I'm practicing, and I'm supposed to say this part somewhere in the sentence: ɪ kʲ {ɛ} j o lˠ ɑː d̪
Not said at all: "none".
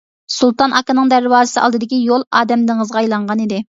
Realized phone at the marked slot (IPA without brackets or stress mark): i